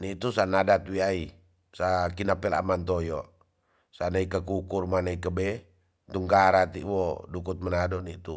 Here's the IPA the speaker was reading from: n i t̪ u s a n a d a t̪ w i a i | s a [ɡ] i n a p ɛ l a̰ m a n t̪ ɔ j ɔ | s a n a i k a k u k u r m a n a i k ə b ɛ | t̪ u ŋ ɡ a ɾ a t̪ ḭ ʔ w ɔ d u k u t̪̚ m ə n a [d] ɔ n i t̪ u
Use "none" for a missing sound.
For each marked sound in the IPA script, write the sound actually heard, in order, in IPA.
k, d

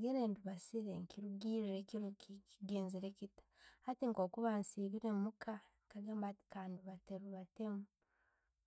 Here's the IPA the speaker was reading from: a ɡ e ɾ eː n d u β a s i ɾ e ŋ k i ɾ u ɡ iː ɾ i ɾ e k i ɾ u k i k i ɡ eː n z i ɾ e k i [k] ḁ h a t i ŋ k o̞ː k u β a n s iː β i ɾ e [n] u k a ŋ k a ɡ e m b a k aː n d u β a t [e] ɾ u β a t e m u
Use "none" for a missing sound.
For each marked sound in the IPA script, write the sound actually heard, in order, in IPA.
t, m, e

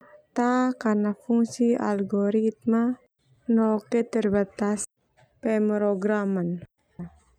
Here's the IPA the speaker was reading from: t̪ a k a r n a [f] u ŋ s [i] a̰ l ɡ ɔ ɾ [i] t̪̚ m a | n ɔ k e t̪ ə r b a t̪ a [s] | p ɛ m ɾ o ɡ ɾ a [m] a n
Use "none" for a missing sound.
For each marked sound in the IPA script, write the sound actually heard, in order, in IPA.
f, i, i, s, m

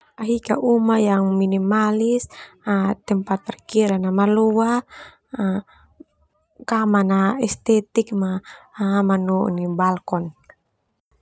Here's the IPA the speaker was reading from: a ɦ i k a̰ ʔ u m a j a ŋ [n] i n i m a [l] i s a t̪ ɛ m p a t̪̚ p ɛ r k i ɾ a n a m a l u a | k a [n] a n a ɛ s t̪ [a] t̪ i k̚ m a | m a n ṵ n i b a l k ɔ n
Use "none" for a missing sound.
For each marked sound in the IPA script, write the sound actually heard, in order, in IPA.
m, l, m, ɛ

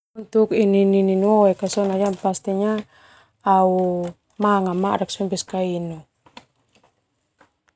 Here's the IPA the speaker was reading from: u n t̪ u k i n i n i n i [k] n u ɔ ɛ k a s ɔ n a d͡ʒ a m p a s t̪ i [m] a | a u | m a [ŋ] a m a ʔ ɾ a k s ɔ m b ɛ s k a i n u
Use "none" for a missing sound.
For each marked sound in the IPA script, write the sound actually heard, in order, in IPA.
none, ɲ, ŋ

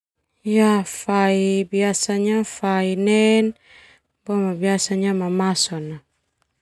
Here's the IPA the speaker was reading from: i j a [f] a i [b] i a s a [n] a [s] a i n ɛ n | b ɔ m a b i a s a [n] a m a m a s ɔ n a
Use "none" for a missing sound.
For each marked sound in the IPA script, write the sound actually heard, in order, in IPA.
f, b, ɲ, f, ɲ

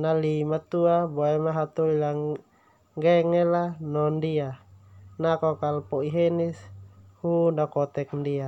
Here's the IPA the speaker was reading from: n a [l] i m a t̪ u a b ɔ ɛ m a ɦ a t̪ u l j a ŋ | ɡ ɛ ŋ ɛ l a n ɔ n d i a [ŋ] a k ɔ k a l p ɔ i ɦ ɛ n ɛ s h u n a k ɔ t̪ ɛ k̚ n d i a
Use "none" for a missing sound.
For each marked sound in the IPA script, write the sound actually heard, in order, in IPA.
l, n

